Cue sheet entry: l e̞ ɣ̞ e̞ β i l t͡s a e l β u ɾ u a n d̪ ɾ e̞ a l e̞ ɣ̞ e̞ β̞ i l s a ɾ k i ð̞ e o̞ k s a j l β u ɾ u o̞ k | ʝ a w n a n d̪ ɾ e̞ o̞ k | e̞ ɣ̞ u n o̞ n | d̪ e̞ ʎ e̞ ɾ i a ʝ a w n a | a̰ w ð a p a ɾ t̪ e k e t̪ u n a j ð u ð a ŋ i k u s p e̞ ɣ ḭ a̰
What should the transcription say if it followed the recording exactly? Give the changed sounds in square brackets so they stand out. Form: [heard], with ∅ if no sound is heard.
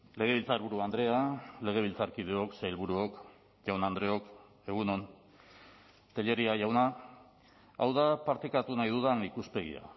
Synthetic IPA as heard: l e̞ ɣ̞ e̞ β i l t͡s a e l β u ɾ u a n d̪ ɾ e̞ a l e̞ ɣ̞ e̞ β̞ i l [t͡s] a ɾ k i ð̞ e o̞ k s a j l β u ɾ u o̞ k | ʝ a w n a n d̪ ɾ e̞ o̞ k | e̞ ɣ̞ u n o̞ n | [t̪] e̞ ʎ e̞ ɾ i a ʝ a w n a | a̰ w ð a p a ɾ t̪ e k [a] t̪ u n a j ð u ð a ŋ i k u s p e̞ ɣ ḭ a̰